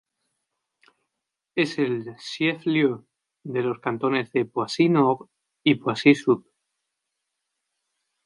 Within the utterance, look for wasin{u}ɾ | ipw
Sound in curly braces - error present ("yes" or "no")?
yes